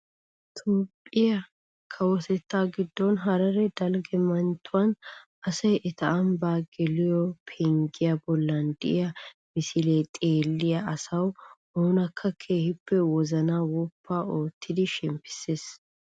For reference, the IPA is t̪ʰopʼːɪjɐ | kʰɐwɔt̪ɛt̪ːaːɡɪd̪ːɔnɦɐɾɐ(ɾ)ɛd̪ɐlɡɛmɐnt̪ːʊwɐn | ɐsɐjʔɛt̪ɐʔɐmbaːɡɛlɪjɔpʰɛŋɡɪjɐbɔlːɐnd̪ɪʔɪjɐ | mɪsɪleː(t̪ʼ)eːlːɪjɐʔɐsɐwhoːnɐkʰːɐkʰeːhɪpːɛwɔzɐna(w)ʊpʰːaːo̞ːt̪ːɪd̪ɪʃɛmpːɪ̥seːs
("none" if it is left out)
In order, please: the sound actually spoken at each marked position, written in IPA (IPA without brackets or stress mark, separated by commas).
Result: ɾ, t̪ʼ, w